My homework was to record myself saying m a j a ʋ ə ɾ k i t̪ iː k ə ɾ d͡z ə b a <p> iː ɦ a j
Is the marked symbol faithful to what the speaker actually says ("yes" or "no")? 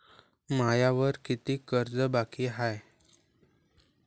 no